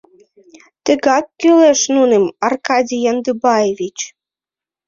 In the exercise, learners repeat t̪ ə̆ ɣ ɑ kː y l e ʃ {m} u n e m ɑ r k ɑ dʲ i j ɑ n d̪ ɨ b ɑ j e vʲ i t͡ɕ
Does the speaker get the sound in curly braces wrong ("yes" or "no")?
yes